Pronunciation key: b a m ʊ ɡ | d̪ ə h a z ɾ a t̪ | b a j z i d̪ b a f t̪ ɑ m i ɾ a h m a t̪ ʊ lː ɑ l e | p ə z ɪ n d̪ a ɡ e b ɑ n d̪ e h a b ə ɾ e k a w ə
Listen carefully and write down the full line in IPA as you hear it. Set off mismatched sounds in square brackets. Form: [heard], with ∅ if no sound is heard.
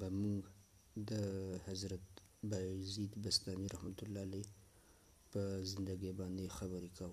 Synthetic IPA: b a m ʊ ɡ | d̪ ə h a z ɾ a t̪ | b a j z i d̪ b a [s] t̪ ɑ m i ɾ a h m a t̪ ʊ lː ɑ l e | p ə z ɪ n d̪ a ɡ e b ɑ n d̪ e [x] a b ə ɾ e k a w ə